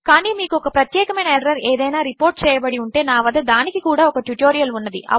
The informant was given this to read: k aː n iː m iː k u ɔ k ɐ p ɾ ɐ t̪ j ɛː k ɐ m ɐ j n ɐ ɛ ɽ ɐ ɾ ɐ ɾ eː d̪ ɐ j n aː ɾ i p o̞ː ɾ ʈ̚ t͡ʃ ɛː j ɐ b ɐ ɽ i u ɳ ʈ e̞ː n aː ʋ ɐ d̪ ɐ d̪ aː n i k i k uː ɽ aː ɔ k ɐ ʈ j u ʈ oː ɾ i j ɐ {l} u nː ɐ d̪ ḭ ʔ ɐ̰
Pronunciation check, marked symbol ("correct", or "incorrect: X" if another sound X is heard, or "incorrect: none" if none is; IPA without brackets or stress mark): correct